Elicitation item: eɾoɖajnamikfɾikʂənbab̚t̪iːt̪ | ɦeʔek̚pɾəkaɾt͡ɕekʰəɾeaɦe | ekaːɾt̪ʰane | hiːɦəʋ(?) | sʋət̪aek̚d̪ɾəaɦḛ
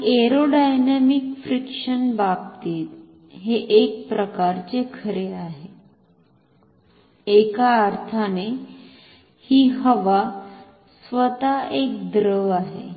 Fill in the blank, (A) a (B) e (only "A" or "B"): A